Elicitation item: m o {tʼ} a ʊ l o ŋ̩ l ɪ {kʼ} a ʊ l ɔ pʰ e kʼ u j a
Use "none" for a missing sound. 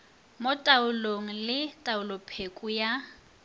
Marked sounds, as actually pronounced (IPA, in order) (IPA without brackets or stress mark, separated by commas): tʼ, tʼ